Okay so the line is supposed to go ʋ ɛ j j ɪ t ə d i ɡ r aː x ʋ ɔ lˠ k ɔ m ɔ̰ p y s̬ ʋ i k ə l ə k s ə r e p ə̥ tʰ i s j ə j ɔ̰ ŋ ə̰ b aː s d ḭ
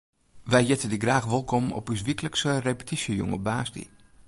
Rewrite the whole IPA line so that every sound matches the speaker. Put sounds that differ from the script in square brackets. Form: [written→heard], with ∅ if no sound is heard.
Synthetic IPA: ʋ ɛ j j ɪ t ə d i ɡ r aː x ʋ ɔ lˠ k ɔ m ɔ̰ p y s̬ ʋ i k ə l ə k s ə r e p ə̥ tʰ i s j ə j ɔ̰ ŋ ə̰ b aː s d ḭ